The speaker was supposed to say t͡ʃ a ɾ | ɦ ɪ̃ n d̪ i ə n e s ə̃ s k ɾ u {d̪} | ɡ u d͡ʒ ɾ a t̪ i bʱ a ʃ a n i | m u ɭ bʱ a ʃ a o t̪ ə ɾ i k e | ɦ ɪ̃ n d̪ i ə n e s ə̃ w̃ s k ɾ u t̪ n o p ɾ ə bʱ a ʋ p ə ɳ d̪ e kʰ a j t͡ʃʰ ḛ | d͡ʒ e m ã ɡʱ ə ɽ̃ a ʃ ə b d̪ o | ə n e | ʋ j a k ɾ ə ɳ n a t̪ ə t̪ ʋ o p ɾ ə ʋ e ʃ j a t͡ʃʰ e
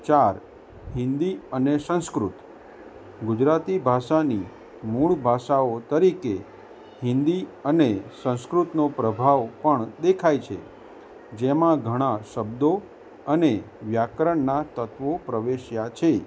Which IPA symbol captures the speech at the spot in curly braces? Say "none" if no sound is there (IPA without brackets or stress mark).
t̪